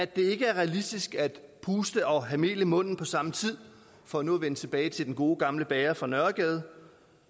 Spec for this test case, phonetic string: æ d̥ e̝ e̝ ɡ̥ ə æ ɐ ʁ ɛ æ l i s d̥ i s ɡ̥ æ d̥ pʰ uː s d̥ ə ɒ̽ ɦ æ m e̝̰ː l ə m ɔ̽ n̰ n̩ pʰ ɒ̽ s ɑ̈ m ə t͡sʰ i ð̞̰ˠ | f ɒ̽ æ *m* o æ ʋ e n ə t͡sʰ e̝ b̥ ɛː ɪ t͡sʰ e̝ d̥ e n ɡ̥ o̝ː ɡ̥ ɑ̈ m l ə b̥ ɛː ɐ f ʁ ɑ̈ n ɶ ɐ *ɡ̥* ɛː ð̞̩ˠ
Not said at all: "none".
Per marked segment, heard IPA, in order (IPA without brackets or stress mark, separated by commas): n, ɡ̥